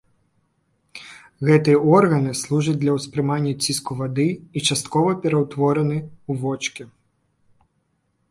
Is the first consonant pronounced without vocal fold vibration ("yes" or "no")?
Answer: no